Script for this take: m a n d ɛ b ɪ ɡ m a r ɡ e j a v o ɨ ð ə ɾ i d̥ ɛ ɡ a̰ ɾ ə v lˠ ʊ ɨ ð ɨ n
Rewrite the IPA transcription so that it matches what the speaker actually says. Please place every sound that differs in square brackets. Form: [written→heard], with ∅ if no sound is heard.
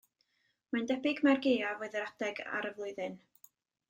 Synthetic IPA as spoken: m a n d ɛ b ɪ ɡ m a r ɡ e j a v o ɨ ð ə ɾ [i→a] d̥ ɛ ɡ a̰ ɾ ə v lˠ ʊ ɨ ð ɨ n